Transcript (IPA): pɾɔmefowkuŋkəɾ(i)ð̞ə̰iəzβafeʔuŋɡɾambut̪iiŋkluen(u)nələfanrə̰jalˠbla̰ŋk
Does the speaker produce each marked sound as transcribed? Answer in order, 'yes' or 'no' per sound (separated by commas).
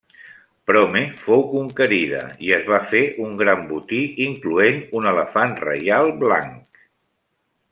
yes, yes